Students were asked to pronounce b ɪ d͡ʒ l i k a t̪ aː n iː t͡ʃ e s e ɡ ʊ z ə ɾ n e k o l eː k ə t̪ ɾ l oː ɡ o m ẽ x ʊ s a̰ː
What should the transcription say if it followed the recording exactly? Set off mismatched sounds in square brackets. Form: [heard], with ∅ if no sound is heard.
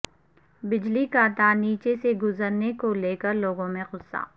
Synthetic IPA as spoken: b ɪ d͡ʒ l i k a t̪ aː n iː t͡ʃ e s e ɡ ʊ z ə ɾ n e k o l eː k ə [∅] ɾ l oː ɡ [õ] m ẽ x ʊ s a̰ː